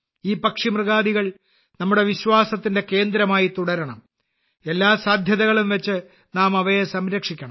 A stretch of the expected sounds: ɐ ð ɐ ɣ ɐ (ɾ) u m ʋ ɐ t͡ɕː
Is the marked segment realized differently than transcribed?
yes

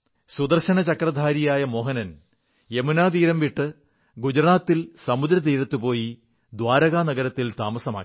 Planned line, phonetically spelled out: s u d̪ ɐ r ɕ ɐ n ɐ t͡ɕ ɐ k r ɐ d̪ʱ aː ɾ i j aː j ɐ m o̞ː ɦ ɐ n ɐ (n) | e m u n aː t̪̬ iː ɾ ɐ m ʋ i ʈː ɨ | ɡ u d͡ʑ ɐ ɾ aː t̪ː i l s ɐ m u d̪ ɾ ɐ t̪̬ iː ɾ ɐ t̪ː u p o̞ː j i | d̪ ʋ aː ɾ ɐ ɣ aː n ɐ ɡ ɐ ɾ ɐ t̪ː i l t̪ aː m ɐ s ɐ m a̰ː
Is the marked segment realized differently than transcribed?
no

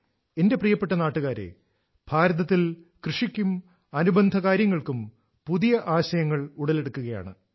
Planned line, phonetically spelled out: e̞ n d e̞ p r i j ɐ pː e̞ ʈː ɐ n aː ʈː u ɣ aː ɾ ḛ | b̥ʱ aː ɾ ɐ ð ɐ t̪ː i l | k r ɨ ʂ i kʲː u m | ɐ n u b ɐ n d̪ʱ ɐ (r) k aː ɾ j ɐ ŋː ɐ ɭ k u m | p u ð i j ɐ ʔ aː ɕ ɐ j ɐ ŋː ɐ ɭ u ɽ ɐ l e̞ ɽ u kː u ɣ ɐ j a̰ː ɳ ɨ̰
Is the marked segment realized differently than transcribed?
yes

